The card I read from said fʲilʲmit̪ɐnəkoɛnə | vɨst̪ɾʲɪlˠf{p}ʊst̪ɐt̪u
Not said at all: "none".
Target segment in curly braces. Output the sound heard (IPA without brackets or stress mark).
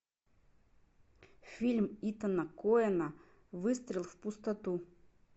p